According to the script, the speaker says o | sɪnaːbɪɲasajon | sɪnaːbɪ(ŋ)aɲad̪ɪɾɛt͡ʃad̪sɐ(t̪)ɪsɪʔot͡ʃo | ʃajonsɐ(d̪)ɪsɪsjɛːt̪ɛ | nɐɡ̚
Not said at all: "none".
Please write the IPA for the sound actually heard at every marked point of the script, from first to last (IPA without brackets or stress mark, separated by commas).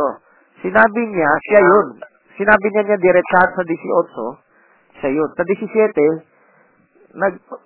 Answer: ɲ, d̪, d̪